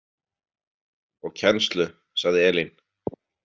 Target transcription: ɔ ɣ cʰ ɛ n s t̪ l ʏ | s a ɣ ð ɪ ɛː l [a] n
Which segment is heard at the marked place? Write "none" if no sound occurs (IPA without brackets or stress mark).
i